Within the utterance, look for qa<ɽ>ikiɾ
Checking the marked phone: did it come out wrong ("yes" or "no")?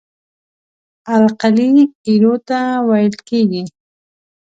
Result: yes